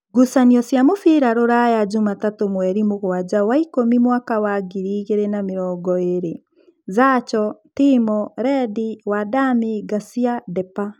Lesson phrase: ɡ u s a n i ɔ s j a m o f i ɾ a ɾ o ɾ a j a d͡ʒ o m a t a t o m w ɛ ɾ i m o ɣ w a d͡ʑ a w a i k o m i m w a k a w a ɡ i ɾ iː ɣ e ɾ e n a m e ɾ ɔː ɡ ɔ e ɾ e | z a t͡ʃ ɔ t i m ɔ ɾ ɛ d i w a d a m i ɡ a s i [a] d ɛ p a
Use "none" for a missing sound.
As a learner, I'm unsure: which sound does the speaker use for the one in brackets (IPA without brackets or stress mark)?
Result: a